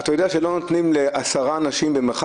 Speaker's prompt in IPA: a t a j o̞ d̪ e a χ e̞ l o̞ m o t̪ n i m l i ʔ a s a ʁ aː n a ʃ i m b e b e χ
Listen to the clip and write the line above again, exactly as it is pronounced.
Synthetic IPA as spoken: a t a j o̞ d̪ e a ʃ e̞ l o̞ n o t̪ n i m l e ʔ a s a ʁ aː n a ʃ i m b e m e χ